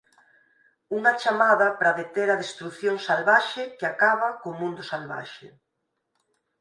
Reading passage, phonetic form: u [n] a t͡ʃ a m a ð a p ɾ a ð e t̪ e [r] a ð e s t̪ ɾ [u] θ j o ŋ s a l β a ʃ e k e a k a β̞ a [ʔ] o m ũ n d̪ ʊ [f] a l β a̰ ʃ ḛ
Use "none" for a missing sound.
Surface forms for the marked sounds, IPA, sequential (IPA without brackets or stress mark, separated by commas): ŋ, ɾ, u, k, s